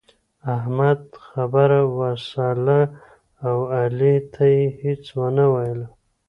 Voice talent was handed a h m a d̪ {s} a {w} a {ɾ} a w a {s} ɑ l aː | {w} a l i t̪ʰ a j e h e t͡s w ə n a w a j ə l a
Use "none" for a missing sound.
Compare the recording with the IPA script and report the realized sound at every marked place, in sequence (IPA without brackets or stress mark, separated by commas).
x, b, ɾ, s, w